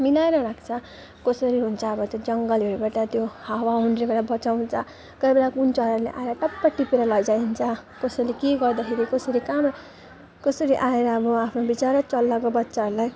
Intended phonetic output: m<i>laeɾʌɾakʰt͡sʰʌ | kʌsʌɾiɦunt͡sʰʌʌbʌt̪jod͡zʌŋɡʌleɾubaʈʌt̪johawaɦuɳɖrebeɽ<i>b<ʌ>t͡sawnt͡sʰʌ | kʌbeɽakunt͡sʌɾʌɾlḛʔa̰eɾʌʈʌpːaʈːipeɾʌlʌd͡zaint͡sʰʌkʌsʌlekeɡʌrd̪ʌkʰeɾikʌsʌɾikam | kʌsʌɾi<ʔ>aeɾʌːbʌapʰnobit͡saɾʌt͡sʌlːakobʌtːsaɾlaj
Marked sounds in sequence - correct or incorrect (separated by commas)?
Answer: correct, incorrect, correct, correct